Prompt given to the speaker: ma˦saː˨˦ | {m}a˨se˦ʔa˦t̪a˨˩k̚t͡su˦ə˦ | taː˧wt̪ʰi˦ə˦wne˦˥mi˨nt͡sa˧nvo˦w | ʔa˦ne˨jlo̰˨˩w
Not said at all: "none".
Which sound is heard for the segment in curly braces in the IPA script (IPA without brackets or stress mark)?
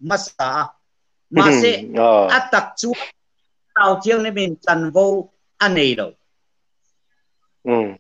m